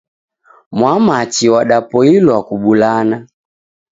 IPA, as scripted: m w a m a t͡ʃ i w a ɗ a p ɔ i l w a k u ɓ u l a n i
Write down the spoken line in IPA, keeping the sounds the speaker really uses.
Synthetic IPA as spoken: m w a m a t͡ʃ i w a ɗ a p ɔ i l w a k u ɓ u l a n a